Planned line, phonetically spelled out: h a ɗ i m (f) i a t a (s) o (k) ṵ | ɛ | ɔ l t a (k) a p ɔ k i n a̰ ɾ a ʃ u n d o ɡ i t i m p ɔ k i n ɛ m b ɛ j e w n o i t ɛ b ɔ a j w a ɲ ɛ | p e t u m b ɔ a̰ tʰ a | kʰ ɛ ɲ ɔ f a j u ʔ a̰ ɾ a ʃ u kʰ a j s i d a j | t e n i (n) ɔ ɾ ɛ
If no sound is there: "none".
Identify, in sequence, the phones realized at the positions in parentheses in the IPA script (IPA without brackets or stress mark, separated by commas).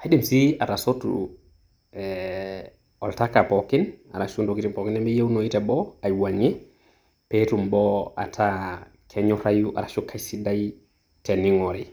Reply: s, s, t, k, ŋ